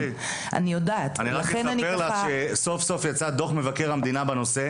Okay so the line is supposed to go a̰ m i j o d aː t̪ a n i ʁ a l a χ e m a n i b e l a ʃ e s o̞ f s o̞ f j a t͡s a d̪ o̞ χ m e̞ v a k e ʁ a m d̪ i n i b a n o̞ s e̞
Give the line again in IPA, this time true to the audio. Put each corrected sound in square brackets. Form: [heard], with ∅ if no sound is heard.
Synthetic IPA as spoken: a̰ [n] i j o d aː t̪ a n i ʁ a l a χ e [n] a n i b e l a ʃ e s o̞ f s o̞ f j a t͡s a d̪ o̞ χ m e̞ v a k e ʁ a m d̪ i n [a] b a n o̞ s e̞

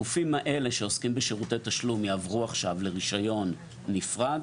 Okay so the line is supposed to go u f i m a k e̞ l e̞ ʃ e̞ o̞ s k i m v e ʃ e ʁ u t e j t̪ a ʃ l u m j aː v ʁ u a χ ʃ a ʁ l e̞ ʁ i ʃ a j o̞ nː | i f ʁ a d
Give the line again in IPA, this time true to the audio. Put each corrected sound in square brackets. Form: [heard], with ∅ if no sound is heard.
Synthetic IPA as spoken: u f i m a [ʔ] e̞ l e̞ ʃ e̞ o̞ s k i m [b] e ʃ e ʁ u t e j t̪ a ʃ l u m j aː v ʁ u a χ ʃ a [v] l e̞ ʁ i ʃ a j o̞ nː | i f ʁ a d

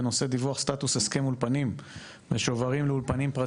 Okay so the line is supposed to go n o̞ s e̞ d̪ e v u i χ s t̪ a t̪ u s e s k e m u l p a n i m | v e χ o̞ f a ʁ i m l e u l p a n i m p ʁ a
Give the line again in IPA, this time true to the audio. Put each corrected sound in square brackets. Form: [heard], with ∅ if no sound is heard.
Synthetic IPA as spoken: n o̞ s e̞ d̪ [i] v u [a] χ s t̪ a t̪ u s e s k e m u l p a n i m | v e [ʃ] o̞ [v] a ʁ i m l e u l p a n i m p ʁ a

